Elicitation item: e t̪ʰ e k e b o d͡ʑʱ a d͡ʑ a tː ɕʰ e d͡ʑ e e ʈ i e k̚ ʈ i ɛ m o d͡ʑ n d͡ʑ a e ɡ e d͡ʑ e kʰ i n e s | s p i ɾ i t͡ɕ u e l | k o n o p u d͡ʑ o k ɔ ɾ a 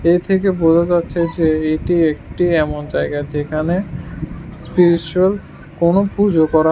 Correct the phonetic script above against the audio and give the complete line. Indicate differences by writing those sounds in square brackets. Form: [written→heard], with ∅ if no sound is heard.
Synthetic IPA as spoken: e t̪ʰ e k e b o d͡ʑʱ a d͡ʑ a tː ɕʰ e d͡ʑ e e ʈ i e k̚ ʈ i ɛ m o [d͡ʑ→∅] n d͡ʑ a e ɡ [e→a] d͡ʑ e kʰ [i→a] n e [s→∅] | s p i ɾ i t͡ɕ u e l | k o n o p u d͡ʑ o k ɔ ɾ a